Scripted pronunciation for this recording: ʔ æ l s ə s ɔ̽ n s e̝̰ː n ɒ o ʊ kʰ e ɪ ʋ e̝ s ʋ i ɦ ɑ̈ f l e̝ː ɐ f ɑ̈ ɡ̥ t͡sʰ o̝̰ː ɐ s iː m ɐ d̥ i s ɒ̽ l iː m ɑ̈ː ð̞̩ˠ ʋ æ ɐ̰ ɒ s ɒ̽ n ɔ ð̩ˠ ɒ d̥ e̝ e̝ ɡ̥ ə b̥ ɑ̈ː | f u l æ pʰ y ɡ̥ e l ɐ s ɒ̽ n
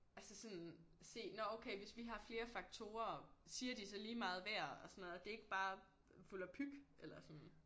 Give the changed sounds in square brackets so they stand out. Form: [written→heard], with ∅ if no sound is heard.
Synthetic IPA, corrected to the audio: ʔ æ l s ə s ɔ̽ n s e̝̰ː n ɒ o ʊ kʰ e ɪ ʋ e̝ s ʋ i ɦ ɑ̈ f l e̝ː ɐ f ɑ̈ ɡ̥ t͡sʰ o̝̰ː ɐ s iː [m→∅] ɐ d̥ i s ɒ̽ l iː m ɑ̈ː ð̞̩ˠ ʋ æ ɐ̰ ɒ s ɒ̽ n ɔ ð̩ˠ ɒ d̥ e̝ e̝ ɡ̥ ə b̥ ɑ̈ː | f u l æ pʰ y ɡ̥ e l ɐ s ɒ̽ n